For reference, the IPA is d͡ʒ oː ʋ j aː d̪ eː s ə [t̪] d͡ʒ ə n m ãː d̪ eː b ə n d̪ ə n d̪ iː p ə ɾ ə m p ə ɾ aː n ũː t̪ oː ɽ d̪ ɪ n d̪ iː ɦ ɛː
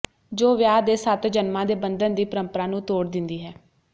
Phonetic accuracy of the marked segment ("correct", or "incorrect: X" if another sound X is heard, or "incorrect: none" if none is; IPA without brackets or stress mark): correct